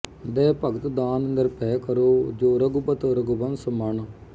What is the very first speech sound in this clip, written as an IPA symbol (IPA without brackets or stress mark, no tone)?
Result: d̪